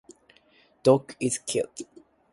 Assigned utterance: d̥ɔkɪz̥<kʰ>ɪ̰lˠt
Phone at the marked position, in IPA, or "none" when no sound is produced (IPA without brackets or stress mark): kʰ